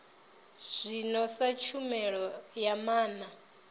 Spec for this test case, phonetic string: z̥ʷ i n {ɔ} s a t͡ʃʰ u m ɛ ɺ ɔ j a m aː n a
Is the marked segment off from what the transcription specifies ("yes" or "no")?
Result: no